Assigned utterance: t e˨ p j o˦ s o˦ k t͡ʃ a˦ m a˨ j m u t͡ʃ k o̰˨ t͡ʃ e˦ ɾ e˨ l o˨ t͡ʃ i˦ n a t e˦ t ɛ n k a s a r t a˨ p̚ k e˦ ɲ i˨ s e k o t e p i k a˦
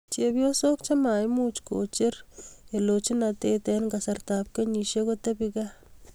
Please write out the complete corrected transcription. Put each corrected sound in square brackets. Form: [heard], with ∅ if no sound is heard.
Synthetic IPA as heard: [t͡ʃ] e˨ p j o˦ s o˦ k t͡ʃ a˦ m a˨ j m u t͡ʃ k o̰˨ t͡ʃ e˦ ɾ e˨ l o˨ t͡ʃ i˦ n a t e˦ t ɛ n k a s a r t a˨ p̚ k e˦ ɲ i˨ [ʃ] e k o t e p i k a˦